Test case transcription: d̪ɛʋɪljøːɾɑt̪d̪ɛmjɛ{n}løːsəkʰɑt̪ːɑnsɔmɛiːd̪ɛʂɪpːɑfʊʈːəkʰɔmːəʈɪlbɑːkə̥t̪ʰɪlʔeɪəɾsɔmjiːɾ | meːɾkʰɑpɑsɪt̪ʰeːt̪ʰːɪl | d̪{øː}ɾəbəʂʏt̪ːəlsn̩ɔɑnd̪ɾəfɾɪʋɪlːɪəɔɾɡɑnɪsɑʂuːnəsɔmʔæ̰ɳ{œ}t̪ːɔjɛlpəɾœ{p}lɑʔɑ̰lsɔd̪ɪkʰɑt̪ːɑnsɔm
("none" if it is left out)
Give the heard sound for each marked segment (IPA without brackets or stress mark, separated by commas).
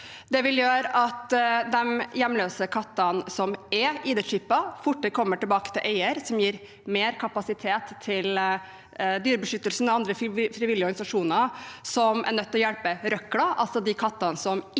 m, yː, œ, k